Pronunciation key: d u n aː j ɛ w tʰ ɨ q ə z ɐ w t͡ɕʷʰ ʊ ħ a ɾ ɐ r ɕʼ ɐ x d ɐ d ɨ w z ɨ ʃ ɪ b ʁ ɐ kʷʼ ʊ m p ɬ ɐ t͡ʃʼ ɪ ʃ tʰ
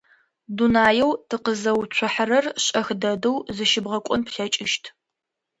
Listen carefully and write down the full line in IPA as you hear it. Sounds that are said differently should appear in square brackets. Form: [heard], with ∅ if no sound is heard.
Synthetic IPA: d u n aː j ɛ w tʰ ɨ q ə z ɐ w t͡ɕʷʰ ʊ ħ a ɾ ɐ r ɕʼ ɐ x d ɐ d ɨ w z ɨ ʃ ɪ b ʁ ɐ kʷʼ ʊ [n] p ɬ ɐ t͡ʃʼ ɪ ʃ tʰ

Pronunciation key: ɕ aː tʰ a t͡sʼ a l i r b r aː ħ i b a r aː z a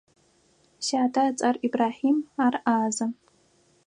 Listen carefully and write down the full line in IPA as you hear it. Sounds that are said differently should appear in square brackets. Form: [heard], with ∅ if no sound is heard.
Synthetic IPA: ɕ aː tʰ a t͡sʼ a [r] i [∅] b r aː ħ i [m] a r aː z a

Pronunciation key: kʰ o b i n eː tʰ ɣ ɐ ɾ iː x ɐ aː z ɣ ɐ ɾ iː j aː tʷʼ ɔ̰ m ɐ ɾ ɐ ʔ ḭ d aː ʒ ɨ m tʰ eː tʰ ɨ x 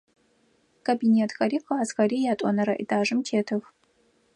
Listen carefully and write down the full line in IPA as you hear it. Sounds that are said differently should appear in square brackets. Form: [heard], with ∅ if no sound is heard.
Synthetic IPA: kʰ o b i n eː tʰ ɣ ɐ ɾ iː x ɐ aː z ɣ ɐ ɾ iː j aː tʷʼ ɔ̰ [n] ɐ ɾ ɐ ʔ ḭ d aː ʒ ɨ m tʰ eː tʰ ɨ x

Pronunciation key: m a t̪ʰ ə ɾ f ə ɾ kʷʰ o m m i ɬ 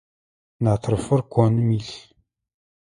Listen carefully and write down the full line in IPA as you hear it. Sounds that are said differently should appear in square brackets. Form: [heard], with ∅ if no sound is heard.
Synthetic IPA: [n] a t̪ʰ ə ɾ f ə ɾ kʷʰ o [n] m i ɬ

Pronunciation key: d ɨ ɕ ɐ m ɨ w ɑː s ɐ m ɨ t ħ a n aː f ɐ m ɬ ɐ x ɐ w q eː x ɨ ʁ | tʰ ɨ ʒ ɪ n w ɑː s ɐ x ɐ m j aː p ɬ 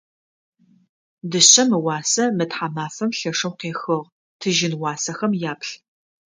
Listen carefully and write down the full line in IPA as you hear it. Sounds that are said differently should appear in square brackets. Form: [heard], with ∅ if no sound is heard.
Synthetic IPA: d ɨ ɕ ɐ m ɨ w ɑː s ɐ m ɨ t ħ a [m] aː f ɐ m ɬ ɐ [ʂ] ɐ w q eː x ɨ ʁ | tʰ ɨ ʒ ɪ n w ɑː s ɐ x ɐ m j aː p ɬ

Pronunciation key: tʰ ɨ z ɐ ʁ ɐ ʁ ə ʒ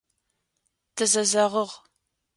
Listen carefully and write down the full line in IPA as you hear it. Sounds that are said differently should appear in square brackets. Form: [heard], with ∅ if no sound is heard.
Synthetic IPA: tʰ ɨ z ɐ [z] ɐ ʁ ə [ʁ]

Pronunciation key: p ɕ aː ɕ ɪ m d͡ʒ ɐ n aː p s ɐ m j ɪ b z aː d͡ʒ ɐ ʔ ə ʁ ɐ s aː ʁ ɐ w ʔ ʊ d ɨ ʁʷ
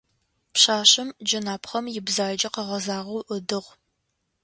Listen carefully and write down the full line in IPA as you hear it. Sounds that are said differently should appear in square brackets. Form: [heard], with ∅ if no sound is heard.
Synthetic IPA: p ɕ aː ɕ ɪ m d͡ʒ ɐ n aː p [χ] ɐ m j ɪ b z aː d͡ʒ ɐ [q] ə ʁ ɐ [z] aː ʁ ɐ w ʔ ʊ d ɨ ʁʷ

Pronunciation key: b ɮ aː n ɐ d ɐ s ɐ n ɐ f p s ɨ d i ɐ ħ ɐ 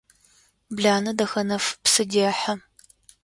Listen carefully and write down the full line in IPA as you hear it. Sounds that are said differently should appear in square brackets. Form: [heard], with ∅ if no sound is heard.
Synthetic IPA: b ɮ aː n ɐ d ɐ [x] ɐ n ɐ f p s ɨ d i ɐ ħ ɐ

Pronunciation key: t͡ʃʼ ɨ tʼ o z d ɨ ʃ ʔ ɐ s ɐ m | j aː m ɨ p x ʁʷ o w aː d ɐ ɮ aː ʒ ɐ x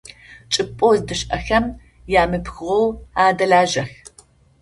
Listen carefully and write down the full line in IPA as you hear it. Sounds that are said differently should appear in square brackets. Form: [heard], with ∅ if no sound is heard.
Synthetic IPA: t͡ʃʼ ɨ [pʼ] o z d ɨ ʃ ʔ ɐ [x] ɐ m | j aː m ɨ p x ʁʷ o w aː d ɐ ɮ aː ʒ ɐ x

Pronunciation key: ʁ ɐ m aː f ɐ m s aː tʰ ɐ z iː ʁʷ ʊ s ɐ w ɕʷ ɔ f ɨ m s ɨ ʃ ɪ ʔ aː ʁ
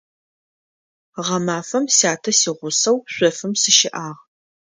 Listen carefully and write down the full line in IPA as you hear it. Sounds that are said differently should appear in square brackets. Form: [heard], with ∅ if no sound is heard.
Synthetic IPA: ʁ ɐ m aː f ɐ m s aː tʰ ɐ [s] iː ʁʷ ʊ s ɐ w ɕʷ ɔ f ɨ m s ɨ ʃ ɪ ʔ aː ʁ

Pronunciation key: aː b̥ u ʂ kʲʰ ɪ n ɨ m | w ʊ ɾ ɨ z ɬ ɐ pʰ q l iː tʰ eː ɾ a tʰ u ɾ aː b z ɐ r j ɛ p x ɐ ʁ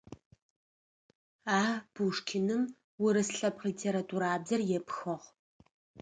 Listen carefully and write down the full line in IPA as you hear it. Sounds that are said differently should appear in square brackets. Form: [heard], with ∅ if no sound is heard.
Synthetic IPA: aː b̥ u ʂ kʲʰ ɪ n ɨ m | w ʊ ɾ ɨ [s] ɬ ɐ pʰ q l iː tʰ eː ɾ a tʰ u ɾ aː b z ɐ r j ɛ p x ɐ ʁ

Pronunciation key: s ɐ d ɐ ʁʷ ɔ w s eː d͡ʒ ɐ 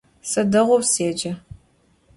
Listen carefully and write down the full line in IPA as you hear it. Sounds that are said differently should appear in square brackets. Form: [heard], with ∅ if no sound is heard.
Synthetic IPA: s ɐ d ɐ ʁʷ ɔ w s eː d͡ʒ ɐ

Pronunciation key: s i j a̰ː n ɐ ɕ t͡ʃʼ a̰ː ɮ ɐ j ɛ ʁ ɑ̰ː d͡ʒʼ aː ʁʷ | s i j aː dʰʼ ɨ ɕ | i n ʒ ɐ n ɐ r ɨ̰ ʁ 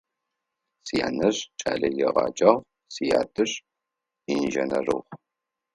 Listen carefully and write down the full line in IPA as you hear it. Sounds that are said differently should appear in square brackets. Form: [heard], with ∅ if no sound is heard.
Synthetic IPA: s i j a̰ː n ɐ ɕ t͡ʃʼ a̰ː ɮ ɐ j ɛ ʁ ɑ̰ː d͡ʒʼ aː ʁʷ | s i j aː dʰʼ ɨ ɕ | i n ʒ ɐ n ɐ r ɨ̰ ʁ

